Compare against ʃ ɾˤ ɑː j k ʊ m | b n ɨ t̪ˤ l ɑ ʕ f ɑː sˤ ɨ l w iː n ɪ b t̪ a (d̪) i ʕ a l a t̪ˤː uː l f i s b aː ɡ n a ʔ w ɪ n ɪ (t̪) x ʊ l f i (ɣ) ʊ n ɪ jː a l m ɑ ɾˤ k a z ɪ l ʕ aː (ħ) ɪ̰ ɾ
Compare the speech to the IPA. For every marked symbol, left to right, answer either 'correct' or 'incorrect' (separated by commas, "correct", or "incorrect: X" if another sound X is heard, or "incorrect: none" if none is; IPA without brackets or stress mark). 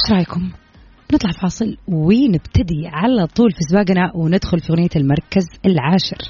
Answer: correct, incorrect: d̪, correct, incorrect: ʃ